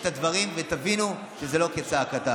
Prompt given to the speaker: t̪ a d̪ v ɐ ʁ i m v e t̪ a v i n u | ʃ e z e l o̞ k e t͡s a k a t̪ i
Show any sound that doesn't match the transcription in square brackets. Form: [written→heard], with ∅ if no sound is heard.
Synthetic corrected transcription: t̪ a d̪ v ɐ ʁ i m v e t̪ a v i n u | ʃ e z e l o̞ k e t͡s a k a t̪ [i→a]